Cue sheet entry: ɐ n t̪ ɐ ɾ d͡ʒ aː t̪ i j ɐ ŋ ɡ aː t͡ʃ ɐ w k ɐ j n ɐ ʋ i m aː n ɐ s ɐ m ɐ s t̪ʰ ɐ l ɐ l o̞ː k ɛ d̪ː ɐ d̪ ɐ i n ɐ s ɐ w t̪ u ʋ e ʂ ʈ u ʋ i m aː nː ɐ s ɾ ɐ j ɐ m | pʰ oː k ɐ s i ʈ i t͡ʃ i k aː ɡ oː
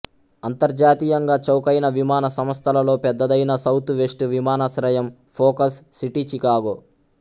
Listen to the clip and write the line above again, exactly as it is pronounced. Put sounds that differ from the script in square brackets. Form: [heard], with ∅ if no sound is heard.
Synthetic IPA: ɐ n t̪ ɐ ɾ d͡ʒ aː t̪ i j ɐ ŋ ɡ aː t͡ʃ ɐ w k ɐ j n ɐ ʋ i m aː n ɐ s ɐ m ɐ s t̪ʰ ɐ l ɐ l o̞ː [p] ɛ d̪ː ɐ d̪ ɐ [j] n ɐ s ɐ w t̪ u ʋ e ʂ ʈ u ʋ i m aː [n] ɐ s ɾ ɐ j ɐ m | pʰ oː k ɐ [sː] i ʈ i t͡ʃ i k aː ɡ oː

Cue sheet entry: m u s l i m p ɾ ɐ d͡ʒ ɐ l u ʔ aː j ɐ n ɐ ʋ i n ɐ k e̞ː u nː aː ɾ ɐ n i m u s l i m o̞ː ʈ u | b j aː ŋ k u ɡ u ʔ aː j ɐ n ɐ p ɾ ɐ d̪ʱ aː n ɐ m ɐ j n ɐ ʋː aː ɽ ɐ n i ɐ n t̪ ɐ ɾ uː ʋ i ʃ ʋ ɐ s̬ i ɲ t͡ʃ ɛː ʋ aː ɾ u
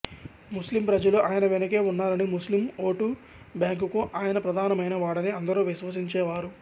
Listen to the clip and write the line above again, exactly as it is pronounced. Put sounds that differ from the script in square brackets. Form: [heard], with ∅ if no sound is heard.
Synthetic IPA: m u s l i m p ɾ ɐ d͡ʒ ɐ l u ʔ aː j ɐ n ɐ ʋ [e] n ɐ k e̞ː u nː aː ɾ ɐ n i m u s l i m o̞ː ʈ u | b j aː ŋ k u [k] u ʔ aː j ɐ n ɐ p ɾ ɐ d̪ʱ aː n ɐ m ɐ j n ɐ [ʋ] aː ɽ ɐ n i ɐ n [d̪] ɐ ɾ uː ʋ i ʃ ʋ ɐ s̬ i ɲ t͡ʃ ɛː ʋ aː ɾ u

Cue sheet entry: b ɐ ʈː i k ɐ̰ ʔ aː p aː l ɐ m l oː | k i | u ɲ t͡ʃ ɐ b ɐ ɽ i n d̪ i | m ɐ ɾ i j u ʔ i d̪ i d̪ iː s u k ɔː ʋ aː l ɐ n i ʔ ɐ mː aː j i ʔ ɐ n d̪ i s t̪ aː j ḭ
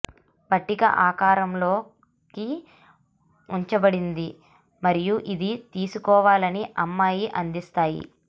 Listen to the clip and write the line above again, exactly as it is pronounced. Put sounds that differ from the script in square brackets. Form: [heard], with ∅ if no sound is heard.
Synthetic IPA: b ɐ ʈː i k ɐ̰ ʔ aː [k] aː [ɾ] ɐ m l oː | k i | u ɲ t͡ʃ ɐ b ɐ ɽ i n d̪ i | m ɐ ɾ i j u ʔ i d̪ i [t̪] iː s u k ɔː ʋ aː l ɐ n i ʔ ɐ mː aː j i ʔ ɐ n d̪ i s t̪ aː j ḭ

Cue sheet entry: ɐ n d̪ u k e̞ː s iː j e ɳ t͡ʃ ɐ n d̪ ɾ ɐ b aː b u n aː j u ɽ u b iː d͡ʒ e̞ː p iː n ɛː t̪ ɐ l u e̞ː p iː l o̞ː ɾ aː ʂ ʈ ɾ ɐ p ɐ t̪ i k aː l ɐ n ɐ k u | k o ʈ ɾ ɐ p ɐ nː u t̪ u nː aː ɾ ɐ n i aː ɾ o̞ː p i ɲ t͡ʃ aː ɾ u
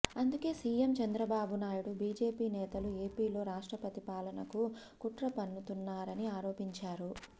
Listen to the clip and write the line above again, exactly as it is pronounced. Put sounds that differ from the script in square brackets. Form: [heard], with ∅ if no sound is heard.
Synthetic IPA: ɐ n d̪ u k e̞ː s iː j e [m] t͡ʃ ɐ n d̪ ɾ ɐ b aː b u n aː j u ɽ u b iː d͡ʒ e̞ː p iː n ɛː t̪ ɐ l u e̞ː p iː l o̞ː ɾ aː ʂ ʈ ɾ ɐ p ɐ t̪ i [p] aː l ɐ n ɐ k u | k [u] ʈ ɾ ɐ p ɐ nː u t̪ u nː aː ɾ ɐ n i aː ɾ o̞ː p i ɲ t͡ʃ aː ɾ u

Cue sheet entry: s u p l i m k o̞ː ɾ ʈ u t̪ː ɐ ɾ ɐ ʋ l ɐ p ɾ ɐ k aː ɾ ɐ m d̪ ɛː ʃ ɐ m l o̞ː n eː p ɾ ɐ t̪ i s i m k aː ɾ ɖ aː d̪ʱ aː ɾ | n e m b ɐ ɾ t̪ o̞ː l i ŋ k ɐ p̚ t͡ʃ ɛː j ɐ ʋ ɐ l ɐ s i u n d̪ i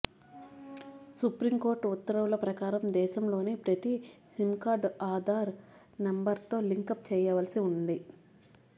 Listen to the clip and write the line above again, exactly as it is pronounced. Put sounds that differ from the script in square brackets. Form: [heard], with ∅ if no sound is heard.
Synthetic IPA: s u p [ɾ] i m k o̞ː ɾ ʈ u t̪ː ɐ ɾ ɐ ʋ l ɐ p ɾ ɐ k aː ɾ ɐ m d̪ ɛː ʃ ɐ m l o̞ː n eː p ɾ ɐ t̪ i s i m k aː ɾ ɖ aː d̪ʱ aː ɾ | n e m b ɐ ɾ t̪ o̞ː l i ŋ k ɐ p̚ t͡ʃ ɛː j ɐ ʋ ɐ l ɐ s i u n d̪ i

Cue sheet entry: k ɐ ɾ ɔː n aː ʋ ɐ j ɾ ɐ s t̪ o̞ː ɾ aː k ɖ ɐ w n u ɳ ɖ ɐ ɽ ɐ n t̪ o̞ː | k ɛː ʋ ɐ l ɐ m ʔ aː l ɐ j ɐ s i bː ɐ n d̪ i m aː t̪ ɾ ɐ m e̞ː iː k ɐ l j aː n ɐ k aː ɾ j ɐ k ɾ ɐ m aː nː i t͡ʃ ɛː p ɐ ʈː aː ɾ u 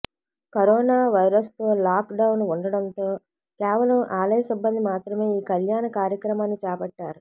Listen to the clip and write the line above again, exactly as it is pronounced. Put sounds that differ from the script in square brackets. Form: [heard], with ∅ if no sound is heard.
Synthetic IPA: k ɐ ɾ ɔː n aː ʋ ɐ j ɾ ɐ s t̪ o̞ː [l] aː k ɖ ɐ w n u ɳ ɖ ɐ ɽ ɐ n t̪ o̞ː | k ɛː ʋ ɐ l ɐ m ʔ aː l ɐ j ɐ s i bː ɐ n d̪ i m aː t̪ ɾ ɐ m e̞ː iː k ɐ l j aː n ɐ k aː ɾ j ɐ k ɾ ɐ m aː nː i t͡ʃ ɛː p ɐ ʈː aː ɾ u

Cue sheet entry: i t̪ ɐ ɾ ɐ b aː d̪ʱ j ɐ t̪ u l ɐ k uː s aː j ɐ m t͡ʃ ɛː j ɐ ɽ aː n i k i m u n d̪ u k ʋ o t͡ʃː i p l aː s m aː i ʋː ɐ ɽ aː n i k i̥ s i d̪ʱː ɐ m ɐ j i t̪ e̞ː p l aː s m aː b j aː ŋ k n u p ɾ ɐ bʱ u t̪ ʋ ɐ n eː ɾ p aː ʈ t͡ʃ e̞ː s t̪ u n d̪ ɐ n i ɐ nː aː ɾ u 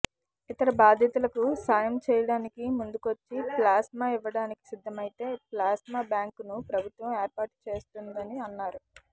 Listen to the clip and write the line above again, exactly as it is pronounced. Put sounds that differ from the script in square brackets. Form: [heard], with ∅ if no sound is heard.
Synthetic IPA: i t̪ ɐ ɾ ɐ b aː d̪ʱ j ɐ t̪ u l ɐ k [u] s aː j ɐ m t͡ʃ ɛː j ɐ ɽ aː n i k i m u n d̪ u k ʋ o t͡ʃː i p l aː s m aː i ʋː ɐ ɽ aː n i k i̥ s i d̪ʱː ɐ m ɐ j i t̪ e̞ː p l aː s m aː b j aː ŋ k n u p ɾ ɐ bʱ u t̪ ʋ ɐ [m] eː ɾ p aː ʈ t͡ʃ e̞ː s t̪ u n d̪ ɐ n i ɐ nː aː ɾ u

